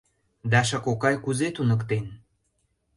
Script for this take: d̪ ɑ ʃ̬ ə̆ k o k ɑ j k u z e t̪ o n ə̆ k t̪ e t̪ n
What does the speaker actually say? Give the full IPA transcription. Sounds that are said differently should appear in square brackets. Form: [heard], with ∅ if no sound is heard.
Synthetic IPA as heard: d̪ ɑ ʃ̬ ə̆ k o k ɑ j k u z e t̪ [u] n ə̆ k t̪ e [∅] n

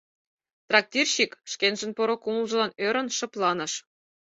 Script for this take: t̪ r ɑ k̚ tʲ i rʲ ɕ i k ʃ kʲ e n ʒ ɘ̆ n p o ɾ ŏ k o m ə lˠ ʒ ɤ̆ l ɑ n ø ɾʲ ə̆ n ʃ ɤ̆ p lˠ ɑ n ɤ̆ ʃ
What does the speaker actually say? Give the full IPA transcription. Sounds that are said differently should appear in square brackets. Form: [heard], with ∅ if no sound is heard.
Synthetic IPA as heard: t̪ r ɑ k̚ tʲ i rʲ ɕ i k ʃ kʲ e n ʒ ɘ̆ n p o ɾ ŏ k [u] m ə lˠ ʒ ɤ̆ l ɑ n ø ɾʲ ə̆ n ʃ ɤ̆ p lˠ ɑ n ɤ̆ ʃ

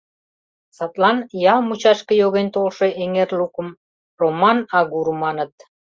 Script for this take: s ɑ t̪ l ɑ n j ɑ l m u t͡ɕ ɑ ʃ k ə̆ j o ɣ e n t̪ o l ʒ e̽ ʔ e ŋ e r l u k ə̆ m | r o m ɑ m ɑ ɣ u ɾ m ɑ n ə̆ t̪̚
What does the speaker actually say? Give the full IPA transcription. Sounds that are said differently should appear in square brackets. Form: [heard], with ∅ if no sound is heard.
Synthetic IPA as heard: s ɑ t̪ l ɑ n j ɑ l m u t͡ɕ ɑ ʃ k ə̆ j o ɣ e n t̪ o l [ʃ] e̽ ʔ e ŋ e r l u k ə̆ m | r o m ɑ [n] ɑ ɣ u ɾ m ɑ n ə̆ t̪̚

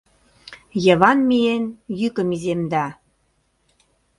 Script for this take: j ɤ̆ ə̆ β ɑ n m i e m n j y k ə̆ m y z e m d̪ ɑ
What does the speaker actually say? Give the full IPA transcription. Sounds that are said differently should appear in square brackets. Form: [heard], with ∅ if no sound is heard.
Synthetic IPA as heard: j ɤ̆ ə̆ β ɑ n m i e [∅] n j y k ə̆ m [i] z e m d̪ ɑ

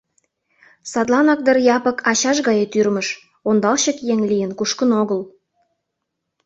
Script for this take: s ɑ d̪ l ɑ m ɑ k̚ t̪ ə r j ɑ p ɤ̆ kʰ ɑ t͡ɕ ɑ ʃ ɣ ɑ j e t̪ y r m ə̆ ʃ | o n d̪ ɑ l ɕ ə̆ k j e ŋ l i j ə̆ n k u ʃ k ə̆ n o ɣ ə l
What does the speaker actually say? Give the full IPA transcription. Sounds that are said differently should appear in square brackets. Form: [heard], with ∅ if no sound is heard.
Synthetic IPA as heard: s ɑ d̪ l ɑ [n] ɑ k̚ [d̪] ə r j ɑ p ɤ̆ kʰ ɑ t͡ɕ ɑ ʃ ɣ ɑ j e t̪ y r m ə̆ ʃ | o n d̪ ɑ l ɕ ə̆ k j e ŋ l i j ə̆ n k u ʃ k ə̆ n o ɣ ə l

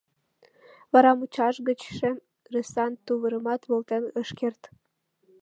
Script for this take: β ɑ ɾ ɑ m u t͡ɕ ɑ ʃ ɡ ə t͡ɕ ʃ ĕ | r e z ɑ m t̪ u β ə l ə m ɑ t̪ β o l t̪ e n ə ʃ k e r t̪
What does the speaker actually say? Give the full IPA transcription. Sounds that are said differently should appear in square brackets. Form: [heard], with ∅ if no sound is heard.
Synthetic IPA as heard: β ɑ ɾ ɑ m u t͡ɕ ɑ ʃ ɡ ə t͡ɕ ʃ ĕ | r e [s] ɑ [n] t̪ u β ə [ɾ] ə m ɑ t̪ β o l t̪ e n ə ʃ k e r t̪

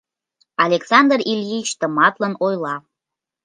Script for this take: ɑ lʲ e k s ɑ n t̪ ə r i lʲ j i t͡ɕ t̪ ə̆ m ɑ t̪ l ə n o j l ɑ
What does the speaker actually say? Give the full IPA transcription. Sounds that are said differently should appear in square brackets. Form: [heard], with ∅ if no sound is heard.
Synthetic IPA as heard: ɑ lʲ e k s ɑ n [d̪] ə r i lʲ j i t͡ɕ t̪ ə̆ m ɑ t̪ l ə n o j l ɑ

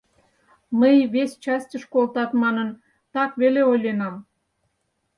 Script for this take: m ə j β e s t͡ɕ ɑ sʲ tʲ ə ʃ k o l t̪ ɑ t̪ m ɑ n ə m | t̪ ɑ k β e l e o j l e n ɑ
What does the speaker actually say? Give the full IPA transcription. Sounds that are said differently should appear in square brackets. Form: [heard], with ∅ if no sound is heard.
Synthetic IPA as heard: m ə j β e s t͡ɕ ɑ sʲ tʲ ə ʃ k o l t̪ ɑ t̪ m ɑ n ə [n] | t̪ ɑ k β e l e o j l e n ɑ

